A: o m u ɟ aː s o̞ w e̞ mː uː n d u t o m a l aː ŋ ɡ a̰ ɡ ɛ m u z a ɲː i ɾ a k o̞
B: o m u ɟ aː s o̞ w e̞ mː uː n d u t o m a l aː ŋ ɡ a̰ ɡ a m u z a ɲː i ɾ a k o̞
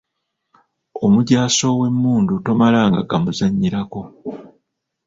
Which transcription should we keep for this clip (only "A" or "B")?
B